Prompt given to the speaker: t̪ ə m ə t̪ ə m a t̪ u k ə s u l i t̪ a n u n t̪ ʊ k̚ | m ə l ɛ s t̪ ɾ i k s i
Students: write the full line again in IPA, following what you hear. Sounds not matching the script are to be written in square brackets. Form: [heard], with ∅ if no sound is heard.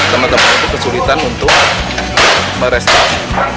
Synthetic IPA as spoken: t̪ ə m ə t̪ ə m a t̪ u k ə s u l i t̪ a n u n t̪ ʊ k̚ | m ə [ɾ] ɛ s t̪ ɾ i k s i